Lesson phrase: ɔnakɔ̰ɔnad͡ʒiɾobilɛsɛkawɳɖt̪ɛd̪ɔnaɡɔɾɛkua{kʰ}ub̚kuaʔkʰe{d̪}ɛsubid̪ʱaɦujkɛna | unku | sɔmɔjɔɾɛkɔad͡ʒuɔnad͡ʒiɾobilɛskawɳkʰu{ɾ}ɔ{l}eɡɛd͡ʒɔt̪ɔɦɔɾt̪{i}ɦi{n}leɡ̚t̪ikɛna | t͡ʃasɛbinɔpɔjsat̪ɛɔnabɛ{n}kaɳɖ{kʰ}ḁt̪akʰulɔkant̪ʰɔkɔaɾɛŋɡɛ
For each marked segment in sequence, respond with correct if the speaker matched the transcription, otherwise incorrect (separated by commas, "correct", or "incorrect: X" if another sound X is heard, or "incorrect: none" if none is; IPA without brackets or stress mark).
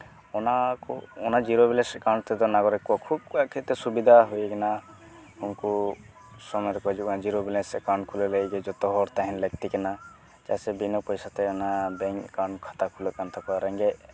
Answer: correct, incorrect: t̪, incorrect: l, correct, incorrect: a, correct, incorrect: ŋ, correct